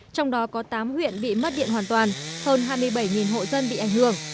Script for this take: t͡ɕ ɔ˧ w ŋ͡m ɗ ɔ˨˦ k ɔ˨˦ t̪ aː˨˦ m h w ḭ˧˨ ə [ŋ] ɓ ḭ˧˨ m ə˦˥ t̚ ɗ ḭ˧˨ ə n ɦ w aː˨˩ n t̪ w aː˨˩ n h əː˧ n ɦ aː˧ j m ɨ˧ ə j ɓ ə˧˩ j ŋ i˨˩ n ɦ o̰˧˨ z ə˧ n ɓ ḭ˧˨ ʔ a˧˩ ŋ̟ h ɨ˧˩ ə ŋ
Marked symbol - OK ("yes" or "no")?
no